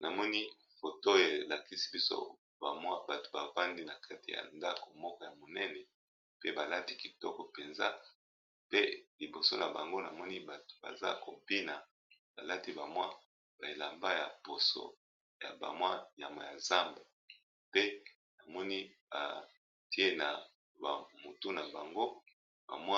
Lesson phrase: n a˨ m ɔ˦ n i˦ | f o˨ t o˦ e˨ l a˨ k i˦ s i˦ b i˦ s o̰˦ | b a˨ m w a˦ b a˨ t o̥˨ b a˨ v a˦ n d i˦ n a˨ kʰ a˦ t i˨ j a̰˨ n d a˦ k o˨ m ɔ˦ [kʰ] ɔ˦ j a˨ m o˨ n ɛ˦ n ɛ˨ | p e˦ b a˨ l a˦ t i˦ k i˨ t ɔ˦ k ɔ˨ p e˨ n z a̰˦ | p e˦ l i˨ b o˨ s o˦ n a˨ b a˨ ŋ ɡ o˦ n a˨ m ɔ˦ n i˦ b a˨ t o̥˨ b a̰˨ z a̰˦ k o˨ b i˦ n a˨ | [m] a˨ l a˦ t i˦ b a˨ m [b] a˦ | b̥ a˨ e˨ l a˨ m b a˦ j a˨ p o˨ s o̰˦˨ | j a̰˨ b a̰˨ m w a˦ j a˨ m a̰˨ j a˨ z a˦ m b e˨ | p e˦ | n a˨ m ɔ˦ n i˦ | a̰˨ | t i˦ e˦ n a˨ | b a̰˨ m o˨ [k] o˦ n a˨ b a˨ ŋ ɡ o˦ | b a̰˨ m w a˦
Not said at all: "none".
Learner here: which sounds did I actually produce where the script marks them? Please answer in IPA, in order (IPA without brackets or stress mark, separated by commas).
k, b, w, t